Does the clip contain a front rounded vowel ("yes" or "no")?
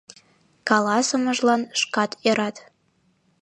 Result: no